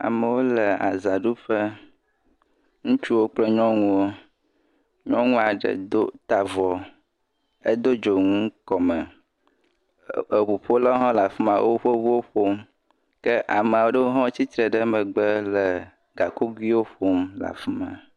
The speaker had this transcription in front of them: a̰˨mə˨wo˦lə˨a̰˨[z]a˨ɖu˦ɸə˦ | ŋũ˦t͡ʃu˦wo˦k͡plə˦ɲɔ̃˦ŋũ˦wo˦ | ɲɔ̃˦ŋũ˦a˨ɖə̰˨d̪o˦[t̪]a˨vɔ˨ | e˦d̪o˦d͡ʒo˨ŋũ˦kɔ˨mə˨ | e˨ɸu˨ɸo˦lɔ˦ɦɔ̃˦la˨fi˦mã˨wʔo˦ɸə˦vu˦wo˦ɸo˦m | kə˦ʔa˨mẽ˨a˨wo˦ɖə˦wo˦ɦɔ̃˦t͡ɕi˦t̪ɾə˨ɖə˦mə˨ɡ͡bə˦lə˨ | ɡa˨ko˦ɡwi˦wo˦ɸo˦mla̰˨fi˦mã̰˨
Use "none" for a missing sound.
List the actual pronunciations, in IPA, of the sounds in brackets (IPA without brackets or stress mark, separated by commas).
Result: z, t̪